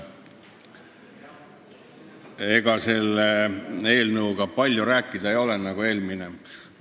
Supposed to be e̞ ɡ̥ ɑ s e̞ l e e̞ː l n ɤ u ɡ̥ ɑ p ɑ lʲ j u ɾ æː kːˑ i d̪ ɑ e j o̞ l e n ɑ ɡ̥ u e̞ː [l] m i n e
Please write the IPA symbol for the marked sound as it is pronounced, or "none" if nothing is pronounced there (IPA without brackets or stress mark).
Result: l